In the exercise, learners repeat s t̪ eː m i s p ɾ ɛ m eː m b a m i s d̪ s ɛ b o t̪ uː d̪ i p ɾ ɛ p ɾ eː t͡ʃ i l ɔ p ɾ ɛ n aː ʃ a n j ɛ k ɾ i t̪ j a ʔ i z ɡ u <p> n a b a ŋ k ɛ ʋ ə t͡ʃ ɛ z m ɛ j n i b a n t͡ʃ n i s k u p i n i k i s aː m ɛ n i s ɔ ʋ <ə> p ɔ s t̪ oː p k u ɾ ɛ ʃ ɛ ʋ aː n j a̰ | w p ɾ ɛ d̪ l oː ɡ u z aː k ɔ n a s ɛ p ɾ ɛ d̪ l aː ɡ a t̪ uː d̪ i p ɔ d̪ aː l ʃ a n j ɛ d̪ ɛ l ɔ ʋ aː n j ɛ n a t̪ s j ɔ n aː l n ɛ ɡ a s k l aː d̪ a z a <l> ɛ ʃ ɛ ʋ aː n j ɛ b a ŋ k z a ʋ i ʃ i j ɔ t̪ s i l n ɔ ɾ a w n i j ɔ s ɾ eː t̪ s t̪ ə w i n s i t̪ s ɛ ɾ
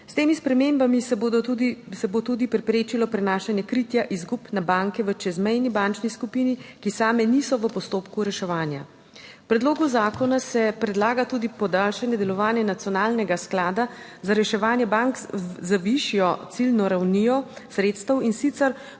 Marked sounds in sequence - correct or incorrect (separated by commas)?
correct, correct, incorrect